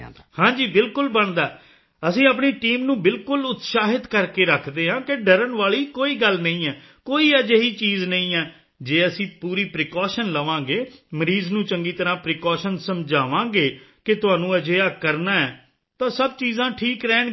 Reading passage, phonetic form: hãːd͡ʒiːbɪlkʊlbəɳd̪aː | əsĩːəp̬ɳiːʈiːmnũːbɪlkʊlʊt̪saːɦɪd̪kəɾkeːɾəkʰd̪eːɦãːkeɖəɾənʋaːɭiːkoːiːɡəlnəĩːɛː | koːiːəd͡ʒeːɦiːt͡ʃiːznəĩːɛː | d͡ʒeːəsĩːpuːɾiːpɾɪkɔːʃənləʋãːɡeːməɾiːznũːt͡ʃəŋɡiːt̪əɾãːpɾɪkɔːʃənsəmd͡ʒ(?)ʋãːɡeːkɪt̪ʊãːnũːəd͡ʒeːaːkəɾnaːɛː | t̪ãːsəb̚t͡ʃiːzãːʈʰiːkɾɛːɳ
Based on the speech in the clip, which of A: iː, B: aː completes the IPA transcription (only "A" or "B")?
B